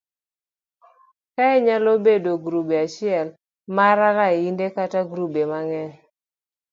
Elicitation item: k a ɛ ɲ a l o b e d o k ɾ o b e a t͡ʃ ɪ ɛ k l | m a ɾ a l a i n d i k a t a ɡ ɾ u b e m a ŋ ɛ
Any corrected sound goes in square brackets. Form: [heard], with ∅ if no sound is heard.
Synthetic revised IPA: k a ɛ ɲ a l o b e d o [ɡ] ɾ [u] b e a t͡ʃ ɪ ɛ [∅] l | m a ɾ a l a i n d [e] k a t a ɡ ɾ u b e m a ŋ ɛ